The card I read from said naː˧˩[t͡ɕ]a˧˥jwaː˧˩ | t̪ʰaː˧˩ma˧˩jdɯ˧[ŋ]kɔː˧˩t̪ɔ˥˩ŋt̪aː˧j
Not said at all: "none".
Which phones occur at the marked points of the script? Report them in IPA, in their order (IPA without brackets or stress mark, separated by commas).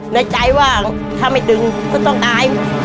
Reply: t͡ɕ, ŋ